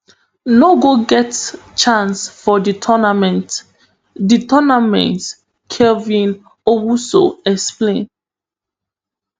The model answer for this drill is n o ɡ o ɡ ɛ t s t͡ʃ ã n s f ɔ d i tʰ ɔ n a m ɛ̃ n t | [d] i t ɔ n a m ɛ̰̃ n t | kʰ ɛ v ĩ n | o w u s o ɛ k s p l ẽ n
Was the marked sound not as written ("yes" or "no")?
no